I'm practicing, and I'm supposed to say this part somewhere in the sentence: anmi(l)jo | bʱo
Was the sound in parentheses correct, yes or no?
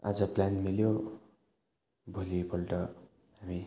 yes